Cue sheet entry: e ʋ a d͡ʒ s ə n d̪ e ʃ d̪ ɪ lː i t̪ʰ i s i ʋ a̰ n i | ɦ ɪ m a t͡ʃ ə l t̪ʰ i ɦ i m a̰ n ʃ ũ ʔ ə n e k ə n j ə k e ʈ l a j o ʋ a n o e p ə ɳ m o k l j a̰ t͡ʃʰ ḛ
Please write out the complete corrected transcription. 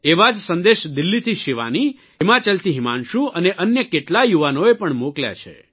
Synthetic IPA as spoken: e ʋ a d͡ʒ s ə n d̪ e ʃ d̪ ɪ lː i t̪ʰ i ʃ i ʋ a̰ n i | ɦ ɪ m a t͡ʃ ə l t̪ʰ i ɦ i m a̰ n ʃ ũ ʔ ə n e ʔ ə n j ə k e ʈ l a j u ʋ a n o e p ə ɳ m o k l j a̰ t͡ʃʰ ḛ